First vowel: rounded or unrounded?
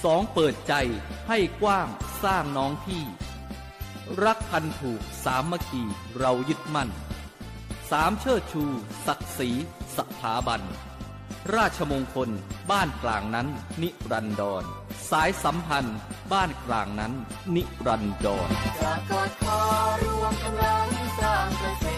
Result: rounded